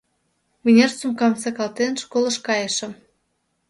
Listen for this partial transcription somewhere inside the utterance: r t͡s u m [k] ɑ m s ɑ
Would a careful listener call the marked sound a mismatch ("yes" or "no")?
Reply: no